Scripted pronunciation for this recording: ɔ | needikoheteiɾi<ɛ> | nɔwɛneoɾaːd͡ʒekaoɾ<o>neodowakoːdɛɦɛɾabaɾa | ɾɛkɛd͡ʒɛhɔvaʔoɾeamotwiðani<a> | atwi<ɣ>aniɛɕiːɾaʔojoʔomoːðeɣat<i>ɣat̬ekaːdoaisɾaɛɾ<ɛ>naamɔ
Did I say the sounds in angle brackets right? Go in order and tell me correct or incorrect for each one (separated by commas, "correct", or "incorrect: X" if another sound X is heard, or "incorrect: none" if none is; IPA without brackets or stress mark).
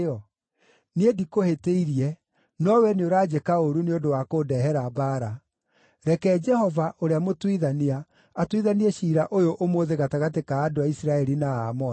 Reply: correct, incorrect: u, correct, incorrect: ð, incorrect: a, incorrect: i